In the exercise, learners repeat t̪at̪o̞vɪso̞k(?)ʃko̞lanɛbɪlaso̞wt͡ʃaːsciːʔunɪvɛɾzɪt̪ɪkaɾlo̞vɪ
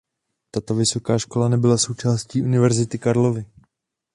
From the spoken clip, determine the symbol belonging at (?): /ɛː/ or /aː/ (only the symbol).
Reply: aː